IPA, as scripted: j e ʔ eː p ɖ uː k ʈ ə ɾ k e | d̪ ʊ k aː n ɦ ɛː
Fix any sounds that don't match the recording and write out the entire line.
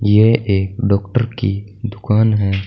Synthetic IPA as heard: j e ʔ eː k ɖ ɔː k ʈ ə ɾ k i | d̪ ʊ k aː n ɦ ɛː